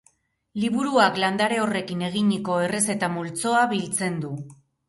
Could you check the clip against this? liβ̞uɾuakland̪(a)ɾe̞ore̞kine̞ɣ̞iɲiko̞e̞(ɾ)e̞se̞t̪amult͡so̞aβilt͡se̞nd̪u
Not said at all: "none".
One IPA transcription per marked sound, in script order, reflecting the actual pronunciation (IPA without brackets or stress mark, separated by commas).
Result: a, r